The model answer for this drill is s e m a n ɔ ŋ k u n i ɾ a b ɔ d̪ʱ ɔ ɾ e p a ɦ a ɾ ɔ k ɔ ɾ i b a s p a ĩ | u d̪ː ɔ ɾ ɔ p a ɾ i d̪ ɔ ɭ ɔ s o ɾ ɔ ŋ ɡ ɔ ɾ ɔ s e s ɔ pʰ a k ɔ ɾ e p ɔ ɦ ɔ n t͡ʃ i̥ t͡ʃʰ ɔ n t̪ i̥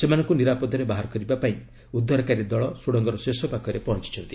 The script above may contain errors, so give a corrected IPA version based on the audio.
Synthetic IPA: s e m a n ɔ ŋ k u n i ɾ a p ɔ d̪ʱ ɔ ɾ e b a ɦ a ɾ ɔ k ɔ ɾ i b a p a ĩ | u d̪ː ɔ ɾ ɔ k a ɾ i d̪ ɔ ɭ ɔ s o ɽ ɔ ŋ ɡ ɔ ɾ ɔ s e s ɔ p a k ɔ ɾ e p ɔ ɦ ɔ n t͡ʃ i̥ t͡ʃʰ ɔ n t̪ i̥